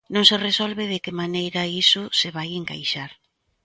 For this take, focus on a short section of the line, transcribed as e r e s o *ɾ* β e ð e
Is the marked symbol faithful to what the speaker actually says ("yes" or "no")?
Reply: no